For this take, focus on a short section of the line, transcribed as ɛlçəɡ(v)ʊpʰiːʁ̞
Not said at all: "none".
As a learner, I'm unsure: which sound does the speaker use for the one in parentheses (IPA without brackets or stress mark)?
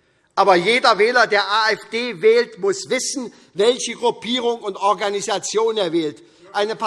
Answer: ʁ